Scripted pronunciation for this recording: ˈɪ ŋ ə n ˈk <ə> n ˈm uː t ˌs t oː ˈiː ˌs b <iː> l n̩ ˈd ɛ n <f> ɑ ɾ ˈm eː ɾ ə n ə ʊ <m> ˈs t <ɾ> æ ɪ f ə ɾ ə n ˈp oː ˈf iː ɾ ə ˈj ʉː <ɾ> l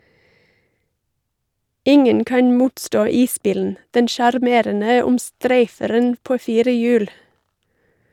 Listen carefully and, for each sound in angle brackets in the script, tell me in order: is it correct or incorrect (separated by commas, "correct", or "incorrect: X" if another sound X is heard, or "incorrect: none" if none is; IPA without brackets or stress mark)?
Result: incorrect: ɑ, correct, incorrect: ʃ, correct, correct, incorrect: none